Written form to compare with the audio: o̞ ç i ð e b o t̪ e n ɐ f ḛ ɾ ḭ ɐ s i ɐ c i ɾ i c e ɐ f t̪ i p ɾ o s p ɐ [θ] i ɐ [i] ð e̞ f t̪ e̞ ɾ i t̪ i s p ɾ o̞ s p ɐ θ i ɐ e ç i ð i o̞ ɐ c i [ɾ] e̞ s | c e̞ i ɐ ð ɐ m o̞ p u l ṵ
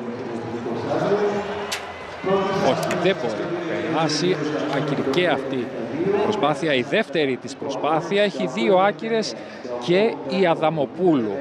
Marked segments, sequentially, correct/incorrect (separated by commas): correct, correct, correct